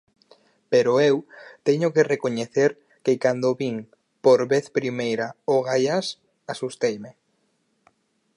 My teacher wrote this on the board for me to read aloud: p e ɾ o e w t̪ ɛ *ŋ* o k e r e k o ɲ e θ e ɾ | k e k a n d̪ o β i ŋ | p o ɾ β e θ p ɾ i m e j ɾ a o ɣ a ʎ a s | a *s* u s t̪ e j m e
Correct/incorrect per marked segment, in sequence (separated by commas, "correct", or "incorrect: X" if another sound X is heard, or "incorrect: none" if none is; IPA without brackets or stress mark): incorrect: ɲ, correct